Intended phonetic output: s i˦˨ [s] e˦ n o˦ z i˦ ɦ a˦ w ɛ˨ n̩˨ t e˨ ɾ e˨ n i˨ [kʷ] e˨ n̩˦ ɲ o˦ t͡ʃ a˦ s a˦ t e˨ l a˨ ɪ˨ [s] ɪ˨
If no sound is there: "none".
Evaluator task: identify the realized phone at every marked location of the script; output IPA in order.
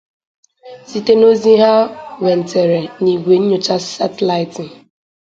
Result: t, ɡʷ, t

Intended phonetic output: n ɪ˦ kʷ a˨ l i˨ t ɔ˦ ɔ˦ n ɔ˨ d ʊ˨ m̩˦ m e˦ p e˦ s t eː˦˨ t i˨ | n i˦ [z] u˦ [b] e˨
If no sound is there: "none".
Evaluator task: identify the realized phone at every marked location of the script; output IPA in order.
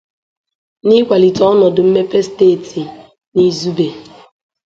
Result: z, b

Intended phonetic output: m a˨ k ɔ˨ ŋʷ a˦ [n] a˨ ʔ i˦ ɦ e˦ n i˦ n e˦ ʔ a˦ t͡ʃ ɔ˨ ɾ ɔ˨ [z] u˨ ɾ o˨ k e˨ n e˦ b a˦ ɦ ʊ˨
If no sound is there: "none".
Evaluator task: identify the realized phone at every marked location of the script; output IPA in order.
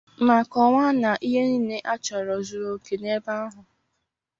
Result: n, z

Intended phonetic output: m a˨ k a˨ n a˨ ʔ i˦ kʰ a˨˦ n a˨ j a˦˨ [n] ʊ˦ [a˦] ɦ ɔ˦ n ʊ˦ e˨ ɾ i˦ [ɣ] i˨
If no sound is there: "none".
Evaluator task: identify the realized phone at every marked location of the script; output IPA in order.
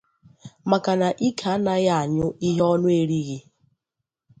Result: ɲ, i˦, ɣ

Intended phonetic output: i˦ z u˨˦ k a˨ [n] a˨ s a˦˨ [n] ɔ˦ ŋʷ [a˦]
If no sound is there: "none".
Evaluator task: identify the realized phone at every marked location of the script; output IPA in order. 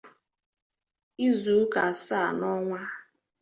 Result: none, n, a˦

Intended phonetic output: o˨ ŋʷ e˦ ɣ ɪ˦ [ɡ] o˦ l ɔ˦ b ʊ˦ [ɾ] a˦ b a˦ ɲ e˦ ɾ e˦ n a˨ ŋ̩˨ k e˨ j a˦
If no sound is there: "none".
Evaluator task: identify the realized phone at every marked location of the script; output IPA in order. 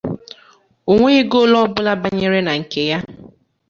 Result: ɡ, l

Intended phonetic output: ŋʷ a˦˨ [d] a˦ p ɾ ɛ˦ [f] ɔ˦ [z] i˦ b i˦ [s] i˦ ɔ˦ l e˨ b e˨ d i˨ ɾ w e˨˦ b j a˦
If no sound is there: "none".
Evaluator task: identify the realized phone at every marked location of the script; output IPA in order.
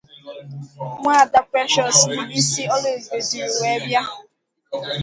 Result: d, ʃ, s, s

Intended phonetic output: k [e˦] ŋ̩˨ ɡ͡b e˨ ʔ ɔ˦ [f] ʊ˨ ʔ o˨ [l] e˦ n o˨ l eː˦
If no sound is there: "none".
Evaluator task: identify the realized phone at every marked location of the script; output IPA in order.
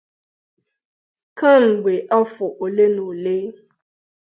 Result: a˦, f, l

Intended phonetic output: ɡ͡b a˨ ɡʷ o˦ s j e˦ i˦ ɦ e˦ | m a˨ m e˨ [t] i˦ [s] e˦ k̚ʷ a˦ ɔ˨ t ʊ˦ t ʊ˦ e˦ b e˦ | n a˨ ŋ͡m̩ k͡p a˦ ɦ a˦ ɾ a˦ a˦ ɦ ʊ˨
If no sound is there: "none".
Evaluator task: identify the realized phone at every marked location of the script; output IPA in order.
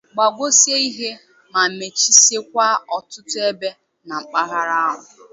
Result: t͡ʃ, s

